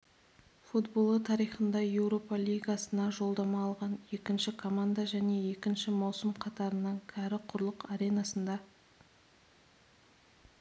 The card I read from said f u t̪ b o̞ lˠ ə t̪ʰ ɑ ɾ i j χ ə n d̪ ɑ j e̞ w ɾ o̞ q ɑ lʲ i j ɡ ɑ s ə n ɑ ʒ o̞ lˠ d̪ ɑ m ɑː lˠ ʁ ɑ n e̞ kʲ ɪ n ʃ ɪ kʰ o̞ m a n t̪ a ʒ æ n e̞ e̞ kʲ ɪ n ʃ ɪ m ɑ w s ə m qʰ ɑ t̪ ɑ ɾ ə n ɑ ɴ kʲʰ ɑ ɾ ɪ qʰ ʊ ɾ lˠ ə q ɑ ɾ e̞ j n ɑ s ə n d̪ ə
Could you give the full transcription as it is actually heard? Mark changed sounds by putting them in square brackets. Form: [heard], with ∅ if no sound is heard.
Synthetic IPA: f u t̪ b o̞ lˠ ə t̪ʰ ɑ ɾ i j χ ə n d̪ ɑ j e̞ w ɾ o̞ [p] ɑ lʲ i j ɡ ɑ s ə n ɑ ʒ o̞ lˠ d̪ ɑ m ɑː lˠ ʁ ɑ n e̞ kʲ ɪ n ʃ ɪ kʰ o̞ m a n [d̪] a ʒ æ n e̞ e̞ kʲ ɪ n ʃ ɪ m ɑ w s ə m qʰ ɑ t̪ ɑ ɾ ə n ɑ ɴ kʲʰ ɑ ɾ ɪ qʰ ʊ ɾ lˠ ə q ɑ ɾ e̞ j n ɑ s ə n d̪ [ɑ]